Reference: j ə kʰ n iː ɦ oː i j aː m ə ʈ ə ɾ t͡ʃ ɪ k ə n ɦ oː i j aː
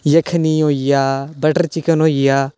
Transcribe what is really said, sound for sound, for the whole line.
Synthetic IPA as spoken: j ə kʰ n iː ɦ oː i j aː b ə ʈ ə ɾ t͡ʃ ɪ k ə n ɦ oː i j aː